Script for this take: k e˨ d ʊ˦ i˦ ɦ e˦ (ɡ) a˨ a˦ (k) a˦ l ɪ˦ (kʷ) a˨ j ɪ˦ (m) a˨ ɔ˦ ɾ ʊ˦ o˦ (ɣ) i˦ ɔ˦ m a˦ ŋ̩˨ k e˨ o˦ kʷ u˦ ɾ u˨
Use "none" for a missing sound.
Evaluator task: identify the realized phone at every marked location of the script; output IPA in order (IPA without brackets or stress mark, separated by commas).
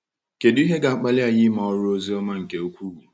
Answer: ɡ, k͡p, none, m, z